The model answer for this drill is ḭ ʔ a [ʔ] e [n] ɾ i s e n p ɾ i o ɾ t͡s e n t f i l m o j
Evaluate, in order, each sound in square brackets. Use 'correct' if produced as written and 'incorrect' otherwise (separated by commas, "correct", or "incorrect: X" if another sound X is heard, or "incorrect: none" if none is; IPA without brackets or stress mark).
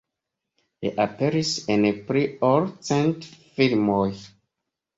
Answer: incorrect: p, incorrect: none